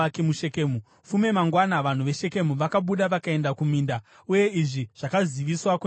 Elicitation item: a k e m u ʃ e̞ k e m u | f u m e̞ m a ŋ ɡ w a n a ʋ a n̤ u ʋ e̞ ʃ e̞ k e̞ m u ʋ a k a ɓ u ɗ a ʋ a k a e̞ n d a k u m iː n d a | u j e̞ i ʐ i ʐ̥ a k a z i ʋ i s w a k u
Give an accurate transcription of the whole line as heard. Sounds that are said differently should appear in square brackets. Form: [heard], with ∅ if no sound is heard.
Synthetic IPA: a k e m u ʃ e̞ k e m u | f u m e̞ m a ŋ ɡ w a n a ʋ a n̤ u ʋ e̞ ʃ e̞ k e̞ m u ʋ a k a ɓ u ɗ a ʋ a k a e̞ n d a k u m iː n d a | u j e̞ i ʐ i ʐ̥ a k a z i ʋ i s w a k u